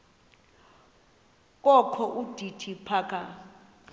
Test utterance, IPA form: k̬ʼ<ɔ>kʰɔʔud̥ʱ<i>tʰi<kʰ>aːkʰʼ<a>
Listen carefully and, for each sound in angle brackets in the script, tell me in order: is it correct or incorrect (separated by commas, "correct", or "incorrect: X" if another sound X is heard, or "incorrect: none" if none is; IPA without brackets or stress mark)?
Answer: correct, correct, incorrect: pʰ, correct